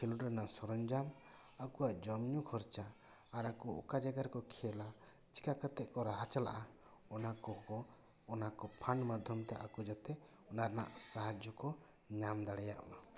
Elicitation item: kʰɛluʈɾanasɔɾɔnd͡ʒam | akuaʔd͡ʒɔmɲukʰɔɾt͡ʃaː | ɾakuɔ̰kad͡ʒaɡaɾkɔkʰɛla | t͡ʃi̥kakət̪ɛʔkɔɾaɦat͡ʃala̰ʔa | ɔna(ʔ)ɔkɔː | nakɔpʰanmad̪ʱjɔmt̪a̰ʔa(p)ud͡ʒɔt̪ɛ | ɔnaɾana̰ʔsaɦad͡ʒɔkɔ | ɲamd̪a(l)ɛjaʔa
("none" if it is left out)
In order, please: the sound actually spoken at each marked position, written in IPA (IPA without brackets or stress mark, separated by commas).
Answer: k, k, ɽ